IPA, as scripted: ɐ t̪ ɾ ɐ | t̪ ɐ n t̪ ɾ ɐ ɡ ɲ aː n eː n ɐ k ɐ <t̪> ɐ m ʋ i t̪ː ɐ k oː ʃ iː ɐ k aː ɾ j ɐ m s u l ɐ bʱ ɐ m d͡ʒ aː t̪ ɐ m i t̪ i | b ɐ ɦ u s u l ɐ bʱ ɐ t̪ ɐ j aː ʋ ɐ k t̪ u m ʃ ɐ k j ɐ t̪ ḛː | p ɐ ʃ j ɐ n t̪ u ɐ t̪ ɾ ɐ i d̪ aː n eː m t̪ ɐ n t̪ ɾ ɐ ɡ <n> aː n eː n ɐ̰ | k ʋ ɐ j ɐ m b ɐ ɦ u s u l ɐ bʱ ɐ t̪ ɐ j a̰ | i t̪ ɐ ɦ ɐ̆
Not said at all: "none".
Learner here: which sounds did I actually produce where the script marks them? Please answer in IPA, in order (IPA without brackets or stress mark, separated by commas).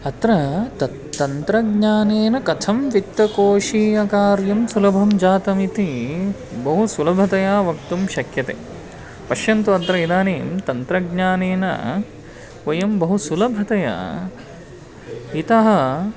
t̪ʰ, ɲ